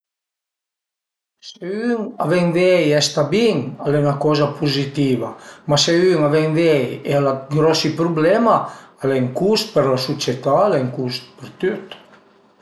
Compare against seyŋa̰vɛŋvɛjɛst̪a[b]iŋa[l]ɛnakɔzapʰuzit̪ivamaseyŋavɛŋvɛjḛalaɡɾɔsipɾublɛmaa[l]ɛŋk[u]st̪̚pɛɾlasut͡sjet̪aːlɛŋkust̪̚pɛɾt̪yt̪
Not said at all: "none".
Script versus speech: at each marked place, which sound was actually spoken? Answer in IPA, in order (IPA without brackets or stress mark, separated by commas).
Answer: b, l, l, u